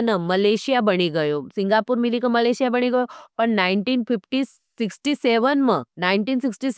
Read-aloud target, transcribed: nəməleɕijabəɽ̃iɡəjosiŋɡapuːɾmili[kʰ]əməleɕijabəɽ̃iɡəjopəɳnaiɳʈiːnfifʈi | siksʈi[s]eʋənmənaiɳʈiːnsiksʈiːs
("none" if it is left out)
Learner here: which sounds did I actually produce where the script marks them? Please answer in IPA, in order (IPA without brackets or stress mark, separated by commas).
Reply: k, s